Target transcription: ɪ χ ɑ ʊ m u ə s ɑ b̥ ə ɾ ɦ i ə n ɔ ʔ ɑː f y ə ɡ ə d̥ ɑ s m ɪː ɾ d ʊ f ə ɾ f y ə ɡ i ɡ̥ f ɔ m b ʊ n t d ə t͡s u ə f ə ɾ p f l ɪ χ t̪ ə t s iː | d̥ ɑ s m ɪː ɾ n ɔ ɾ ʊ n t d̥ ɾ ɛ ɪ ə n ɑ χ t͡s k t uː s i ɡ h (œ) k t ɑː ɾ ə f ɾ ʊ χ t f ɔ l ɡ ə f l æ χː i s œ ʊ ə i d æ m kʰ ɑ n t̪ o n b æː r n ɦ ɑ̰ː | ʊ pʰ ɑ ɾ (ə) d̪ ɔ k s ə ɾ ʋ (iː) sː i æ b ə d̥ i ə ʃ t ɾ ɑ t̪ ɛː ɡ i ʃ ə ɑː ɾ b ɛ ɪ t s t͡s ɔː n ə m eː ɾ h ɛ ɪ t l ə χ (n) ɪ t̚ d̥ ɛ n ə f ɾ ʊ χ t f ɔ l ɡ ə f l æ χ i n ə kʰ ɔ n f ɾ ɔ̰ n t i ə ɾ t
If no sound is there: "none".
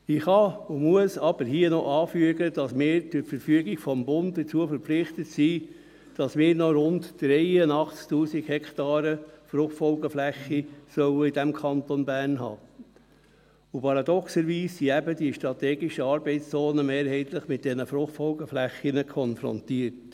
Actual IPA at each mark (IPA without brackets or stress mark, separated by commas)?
ɛ, ɑ, iː, m